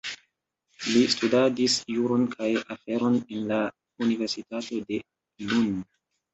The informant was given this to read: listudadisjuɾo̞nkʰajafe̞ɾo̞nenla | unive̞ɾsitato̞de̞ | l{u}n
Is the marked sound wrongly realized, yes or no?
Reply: no